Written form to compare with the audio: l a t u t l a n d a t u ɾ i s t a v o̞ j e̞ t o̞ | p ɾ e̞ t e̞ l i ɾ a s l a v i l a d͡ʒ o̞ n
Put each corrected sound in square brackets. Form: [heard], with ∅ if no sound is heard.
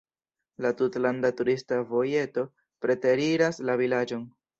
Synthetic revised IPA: l a t u t l a n d a t u ɾ i s t a v o̞ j e̞ t o̞ | p ɾ e̞ t e̞ [ɾ] i ɾ a s l a v i l a d͡ʒ o̞ n